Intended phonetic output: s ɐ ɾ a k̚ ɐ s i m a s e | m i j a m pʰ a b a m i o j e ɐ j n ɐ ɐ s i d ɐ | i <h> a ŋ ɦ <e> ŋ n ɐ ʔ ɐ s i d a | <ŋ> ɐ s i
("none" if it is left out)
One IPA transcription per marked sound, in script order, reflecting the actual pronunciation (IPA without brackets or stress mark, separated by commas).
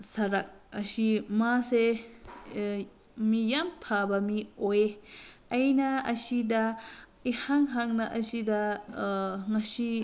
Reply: h, a, ŋ